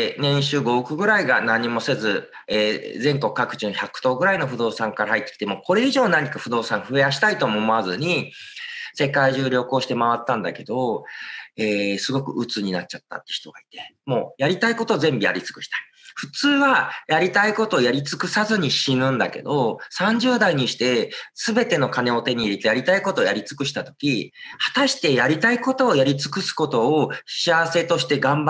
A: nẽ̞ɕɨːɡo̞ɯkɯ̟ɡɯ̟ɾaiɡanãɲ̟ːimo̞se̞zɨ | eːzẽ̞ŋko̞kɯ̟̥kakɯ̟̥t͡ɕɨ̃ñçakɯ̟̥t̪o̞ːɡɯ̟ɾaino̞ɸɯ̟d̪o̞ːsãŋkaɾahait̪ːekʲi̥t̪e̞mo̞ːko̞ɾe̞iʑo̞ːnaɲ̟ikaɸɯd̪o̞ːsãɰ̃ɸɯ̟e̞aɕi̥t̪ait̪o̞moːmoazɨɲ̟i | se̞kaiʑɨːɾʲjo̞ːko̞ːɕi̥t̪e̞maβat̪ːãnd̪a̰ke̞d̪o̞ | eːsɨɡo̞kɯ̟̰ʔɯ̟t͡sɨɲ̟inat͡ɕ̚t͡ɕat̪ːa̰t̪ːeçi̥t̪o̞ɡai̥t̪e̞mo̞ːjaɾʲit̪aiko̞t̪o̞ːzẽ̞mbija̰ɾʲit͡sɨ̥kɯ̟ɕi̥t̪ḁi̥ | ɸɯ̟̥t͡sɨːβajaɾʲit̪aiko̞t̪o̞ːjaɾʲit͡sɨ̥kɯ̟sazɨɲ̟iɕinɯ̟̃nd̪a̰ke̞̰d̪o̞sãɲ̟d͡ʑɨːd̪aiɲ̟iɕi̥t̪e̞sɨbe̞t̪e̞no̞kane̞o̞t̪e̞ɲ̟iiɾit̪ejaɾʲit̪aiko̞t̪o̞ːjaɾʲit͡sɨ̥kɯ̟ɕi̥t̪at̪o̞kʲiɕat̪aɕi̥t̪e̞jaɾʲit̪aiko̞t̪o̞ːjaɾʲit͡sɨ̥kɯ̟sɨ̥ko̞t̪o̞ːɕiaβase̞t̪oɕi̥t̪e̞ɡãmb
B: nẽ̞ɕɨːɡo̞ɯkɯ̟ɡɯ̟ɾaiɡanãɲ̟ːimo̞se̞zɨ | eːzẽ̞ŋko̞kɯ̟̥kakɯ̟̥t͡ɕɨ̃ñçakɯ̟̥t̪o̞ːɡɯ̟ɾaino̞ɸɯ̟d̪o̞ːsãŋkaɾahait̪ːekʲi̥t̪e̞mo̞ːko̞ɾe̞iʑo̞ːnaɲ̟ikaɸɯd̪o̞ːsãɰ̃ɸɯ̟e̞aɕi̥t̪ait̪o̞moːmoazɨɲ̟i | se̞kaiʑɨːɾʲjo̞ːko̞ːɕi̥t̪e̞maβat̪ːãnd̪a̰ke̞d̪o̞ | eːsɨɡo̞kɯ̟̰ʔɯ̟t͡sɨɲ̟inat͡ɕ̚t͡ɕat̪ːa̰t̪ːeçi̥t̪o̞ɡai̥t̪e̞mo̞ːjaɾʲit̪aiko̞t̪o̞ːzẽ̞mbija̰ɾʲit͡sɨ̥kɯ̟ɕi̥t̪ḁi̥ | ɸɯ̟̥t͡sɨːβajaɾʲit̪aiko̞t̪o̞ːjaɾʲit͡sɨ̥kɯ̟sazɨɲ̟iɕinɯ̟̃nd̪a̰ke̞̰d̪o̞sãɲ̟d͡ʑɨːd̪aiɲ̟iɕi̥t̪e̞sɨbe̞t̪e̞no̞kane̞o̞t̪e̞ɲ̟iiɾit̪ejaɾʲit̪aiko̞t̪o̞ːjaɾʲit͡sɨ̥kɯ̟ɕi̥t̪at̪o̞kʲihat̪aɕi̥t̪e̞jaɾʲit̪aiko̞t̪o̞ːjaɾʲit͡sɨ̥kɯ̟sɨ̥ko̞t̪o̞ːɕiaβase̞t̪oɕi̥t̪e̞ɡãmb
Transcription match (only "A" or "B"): B